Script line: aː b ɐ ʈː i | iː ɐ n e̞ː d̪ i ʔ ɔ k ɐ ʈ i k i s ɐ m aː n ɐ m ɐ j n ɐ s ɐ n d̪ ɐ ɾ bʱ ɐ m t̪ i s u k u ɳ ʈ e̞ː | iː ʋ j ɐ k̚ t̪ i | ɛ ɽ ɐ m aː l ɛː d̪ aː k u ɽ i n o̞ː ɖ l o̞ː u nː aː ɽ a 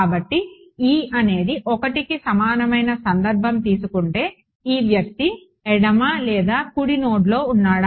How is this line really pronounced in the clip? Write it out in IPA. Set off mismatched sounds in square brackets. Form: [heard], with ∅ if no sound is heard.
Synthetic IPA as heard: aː b ɐ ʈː i | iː ɐ n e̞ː d̪ i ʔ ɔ k ɐ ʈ i k i s ɐ m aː n ɐ m ɐ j n ɐ s ɐ n d̪ ɐ ɾ bʱ ɐ m t̪ [iː] s u k u ɳ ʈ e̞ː | iː ʋ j ɐ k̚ t̪ i | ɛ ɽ ɐ m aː l ɛː d̪ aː k u ɽ i n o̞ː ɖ l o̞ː u nː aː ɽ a